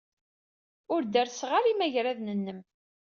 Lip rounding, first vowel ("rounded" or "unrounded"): rounded